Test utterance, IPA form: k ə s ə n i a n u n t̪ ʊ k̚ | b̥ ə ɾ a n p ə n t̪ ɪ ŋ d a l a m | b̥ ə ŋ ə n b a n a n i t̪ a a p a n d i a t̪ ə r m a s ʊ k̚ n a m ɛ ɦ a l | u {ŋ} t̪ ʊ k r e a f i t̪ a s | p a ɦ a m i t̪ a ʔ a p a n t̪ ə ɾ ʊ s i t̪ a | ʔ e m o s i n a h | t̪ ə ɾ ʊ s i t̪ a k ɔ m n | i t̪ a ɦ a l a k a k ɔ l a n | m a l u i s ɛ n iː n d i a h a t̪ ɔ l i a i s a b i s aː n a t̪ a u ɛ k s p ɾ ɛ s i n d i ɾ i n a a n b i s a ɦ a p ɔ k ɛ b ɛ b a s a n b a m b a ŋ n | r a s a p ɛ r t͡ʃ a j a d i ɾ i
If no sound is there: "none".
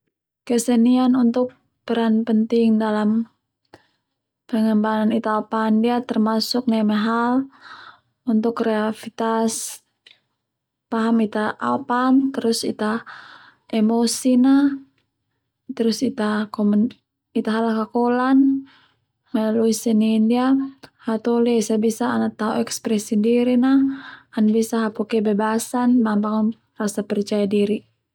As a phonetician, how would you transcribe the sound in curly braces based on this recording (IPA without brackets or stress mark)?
n